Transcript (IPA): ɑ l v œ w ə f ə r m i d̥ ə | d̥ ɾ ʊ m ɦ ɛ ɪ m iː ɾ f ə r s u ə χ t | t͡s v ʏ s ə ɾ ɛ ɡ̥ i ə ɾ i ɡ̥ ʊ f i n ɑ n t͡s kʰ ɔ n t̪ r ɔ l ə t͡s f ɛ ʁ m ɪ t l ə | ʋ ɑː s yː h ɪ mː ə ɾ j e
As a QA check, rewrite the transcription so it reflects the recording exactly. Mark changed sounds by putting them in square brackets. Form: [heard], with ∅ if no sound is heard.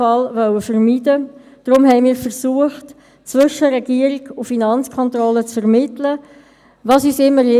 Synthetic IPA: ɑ l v œ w ə f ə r m i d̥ ə | d̥ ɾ ʊ m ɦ ɛ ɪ m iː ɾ f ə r s u ə χ t | t͡s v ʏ [ʃ] ə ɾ ɛ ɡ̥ i ə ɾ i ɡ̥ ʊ f i n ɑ n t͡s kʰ ɔ n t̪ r ɔ l ə t͡s f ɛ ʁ m ɪ t l ə | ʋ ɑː s yː [s] ɪ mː ə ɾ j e

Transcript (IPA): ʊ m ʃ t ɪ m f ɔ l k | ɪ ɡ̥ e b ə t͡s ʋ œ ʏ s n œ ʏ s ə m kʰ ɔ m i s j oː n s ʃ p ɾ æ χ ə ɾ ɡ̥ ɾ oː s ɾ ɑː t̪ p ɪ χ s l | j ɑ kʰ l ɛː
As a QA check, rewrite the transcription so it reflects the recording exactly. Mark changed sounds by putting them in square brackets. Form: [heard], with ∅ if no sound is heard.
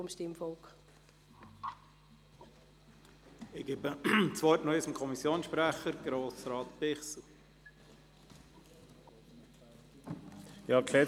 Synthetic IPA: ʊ m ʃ t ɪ m f ɔ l k | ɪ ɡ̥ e b ə t͡s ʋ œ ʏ [t] n œ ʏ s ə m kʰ ɔ m i s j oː n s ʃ p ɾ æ χ ə ɾ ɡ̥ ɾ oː s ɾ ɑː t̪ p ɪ χ s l | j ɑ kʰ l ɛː

